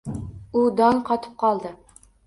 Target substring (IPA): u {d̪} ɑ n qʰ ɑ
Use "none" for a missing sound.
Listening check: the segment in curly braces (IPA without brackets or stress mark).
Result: d̪